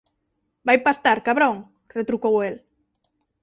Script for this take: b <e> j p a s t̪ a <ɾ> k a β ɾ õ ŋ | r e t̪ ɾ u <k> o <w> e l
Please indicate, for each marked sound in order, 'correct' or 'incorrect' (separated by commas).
incorrect, correct, correct, correct